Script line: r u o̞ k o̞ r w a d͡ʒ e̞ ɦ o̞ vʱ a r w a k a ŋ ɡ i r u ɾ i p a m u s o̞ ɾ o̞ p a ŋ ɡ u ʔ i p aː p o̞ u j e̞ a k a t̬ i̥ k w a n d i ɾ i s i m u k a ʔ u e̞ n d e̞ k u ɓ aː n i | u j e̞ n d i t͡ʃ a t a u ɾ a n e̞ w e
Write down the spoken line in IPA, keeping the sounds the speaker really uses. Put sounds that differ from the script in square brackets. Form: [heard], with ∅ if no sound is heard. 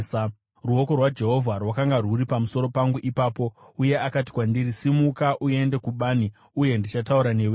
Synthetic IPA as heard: r u o̞ k o̞ r w a d͡ʒ e̞ ɦ o̞ vʱ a r w a k a ŋ ɡ [a] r u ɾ i p a m u s o̞ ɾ o̞ p a ŋ ɡ u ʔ i p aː p o̞ u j e̞ a k a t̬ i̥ k w a n d i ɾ i s i m u k a ʔ u e̞ n d e̞ k u ɓ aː n i | u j e̞ n d i t͡ʃ a t a u ɾ a n e̞ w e

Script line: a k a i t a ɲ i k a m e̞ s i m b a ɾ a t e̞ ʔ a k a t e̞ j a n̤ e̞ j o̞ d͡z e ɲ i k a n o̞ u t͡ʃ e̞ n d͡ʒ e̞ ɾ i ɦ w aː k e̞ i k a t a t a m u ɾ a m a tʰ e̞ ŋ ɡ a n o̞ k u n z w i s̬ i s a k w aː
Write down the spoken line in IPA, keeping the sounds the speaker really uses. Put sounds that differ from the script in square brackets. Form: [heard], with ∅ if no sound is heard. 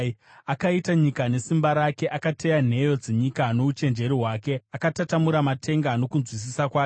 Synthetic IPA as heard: a k a i t a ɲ i k a [n] e̞ s i m b a ɾ a [k] e̞ ʔ a k a t e̞ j a n̤ e̞ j o̞ d͡z e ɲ i k a n o̞ u t͡ʃ e̞ n d͡ʒ e̞ ɾ i ɦ w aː k e̞ [a] k a t a t a m u ɾ a m a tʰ e̞ ŋ ɡ a n o̞ k u n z w i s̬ i s a k w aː

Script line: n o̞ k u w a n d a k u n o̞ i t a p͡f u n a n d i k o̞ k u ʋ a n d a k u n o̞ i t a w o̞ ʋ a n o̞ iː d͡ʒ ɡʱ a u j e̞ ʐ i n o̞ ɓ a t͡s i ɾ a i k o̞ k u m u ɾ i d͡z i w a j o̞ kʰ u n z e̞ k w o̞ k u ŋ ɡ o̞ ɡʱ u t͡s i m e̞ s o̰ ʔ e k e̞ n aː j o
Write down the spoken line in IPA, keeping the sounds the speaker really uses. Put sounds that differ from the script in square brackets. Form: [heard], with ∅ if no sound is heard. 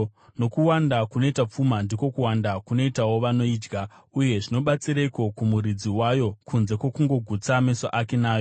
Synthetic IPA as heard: n o̞ k u w a n d a k u n o̞ i t a p͡f u [m] a n d i k o̞ k u [w] a n d a k u n o̞ i t a w o̞ ʋ a n o̞ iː d͡ʒ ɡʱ a u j e̞ ʐ i n o̞ ɓ a t͡s i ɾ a i k o̞ k u m u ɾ i d͡z i w a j o̞ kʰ u n z e̞ k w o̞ k u ŋ ɡ o̞ ɡʱ u t͡s [a] m e̞ s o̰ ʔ [a] k e̞ n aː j o

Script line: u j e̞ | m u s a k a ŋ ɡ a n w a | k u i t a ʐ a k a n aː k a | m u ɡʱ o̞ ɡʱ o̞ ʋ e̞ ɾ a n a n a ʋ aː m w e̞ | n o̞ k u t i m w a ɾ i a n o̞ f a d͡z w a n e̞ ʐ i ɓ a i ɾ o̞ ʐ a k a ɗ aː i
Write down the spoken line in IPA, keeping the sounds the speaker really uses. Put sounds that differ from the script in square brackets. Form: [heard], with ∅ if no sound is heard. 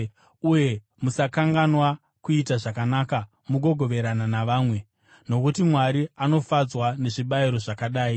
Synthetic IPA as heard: u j e̞ | m u s a k a ŋ ɡ a n w a | k u i t a ʐ a k a n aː k a | m u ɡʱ o̞ ɡʱ o̞ ʋ e̞ ɾ a n a n a ʋ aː m w e̞ | n o̞ k u t i m w a ɾ i a n o̞ f a d͡z w a n e̞ ʐ i ɓ a i ɾ o̞ ʐ a k a ɗ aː i

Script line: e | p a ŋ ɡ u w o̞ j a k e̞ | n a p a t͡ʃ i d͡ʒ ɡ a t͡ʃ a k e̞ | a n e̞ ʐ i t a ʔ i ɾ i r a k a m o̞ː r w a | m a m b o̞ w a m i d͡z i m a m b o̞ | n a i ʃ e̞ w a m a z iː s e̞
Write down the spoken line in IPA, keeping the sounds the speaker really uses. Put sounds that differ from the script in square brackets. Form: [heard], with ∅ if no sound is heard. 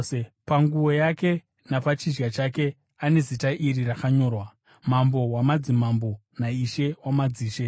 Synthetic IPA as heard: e | p a ŋ ɡ u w o̞ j a k e̞ | n a p a t͡ʃ i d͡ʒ ɡ a t͡ʃ a k e̞ | a n e̞ [z] i t a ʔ i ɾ i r a k a [ɲ] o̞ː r w a | m a m b o̞ w a m [a] d͡z i m a m b o̞ | n a i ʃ e̞ w a m a [d͡z] iː [ʃ] e̞

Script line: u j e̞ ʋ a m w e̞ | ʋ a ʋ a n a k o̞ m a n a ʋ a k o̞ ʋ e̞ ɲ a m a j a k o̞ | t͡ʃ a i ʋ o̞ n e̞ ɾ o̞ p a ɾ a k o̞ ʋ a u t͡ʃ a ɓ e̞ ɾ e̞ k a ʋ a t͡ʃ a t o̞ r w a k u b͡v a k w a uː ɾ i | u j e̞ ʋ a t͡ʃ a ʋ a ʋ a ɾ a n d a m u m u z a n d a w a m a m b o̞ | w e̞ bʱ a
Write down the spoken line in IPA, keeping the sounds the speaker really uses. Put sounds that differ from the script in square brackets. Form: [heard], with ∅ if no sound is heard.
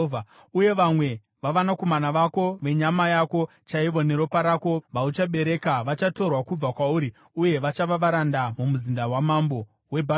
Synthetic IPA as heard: u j e̞ ʋ a m w e̞ | ʋ a ʋ a n a k o̞ m a n a ʋ a k o̞ ʋ e̞ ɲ a m a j a k o̞ | t͡ʃ a i ʋ o̞ n e̞ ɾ o̞ p a ɾ a k o̞ ʋ a u t͡ʃ a ɓ e̞ ɾ e̞ k a ʋ a t͡ʃ a t o̞ r w a k u b͡v a k w a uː ɾ i | u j e̞ ʋ a t͡ʃ a ʋ a ʋ a ɾ a n d a m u m u z [i] n d a w a m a m b o̞ | w e̞ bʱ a

